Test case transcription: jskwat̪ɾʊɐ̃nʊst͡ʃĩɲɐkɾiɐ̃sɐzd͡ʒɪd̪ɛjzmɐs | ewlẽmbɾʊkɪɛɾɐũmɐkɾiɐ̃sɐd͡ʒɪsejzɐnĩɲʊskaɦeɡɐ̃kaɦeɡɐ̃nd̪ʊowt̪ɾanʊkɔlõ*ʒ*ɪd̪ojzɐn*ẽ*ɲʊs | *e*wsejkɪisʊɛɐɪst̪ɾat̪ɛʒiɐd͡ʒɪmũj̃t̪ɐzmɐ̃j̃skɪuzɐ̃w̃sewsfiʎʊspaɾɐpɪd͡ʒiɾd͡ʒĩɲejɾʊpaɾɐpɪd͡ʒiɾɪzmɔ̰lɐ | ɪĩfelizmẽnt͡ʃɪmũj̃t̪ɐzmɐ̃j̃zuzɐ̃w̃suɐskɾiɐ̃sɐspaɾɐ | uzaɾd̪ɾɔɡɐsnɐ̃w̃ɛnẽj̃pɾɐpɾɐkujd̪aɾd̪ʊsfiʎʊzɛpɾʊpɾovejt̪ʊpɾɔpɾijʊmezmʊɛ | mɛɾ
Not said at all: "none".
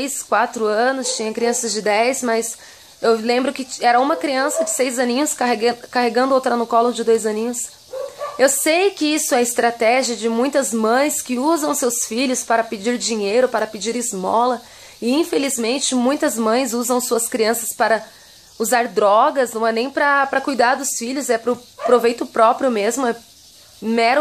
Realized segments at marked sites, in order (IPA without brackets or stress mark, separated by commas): d͡ʒ, ĩ, e